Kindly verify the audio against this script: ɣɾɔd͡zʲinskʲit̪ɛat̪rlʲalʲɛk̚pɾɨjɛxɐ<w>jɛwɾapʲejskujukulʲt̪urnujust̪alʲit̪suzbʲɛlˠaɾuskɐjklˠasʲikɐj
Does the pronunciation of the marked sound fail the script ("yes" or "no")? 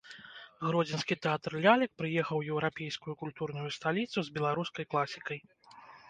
no